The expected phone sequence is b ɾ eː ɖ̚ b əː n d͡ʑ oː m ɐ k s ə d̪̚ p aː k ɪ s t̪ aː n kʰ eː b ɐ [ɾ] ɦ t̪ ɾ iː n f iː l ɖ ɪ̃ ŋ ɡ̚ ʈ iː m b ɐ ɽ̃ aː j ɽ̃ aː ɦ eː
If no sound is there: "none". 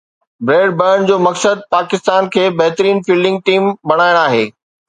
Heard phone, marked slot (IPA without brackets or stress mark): none